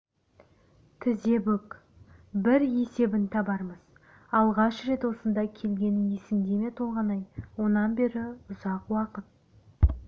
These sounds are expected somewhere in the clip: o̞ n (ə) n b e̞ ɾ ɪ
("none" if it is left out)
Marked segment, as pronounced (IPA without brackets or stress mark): ɑ